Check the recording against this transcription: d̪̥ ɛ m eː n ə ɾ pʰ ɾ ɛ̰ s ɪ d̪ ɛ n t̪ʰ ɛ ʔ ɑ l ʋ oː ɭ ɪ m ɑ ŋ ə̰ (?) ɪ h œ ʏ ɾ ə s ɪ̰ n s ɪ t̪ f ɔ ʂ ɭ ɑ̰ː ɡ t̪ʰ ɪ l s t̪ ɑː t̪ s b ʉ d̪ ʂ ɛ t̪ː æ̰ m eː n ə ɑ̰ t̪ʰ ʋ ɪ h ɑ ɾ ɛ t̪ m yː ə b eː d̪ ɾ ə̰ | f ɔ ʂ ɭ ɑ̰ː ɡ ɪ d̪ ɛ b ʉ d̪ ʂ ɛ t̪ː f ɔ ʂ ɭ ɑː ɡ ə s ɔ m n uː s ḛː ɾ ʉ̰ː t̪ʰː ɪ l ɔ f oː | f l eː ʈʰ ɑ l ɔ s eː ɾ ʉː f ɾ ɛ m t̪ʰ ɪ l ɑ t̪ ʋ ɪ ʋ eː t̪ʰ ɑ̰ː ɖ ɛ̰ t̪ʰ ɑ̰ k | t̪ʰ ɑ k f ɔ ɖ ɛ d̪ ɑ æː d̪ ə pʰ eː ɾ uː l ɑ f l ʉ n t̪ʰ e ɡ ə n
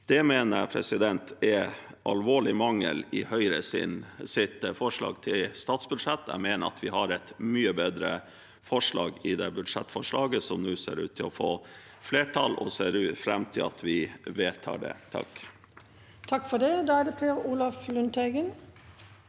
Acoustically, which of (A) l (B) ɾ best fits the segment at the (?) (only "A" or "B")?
A